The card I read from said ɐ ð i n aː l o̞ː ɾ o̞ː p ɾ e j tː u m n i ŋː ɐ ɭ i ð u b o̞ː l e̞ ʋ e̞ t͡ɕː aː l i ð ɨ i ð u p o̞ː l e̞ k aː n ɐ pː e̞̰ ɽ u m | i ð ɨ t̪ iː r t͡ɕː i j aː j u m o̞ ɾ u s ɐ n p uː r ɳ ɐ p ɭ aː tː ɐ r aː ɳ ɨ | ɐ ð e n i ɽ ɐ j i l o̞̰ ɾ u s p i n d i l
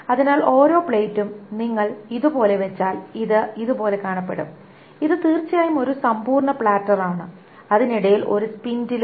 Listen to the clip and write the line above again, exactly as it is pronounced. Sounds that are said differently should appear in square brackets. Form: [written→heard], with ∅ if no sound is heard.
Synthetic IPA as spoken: ɐ ð i n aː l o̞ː ɾ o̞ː p [ɾ→ɭ] e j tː u m n i ŋː ɐ ɭ i ð u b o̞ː l e̞ ʋ e̞ t͡ɕː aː l i ð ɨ i ð u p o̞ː l e̞ k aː [n→ɳ] ɐ pː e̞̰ ɽ u m | i ð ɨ t̪ iː r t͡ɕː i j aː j u m o̞ ɾ u s ɐ [n→m] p uː r ɳ ɐ p ɭ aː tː ɐ r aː ɳ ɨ | ɐ ð [e→i] n i ɽ ɐ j i l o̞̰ ɾ u s p i n d i l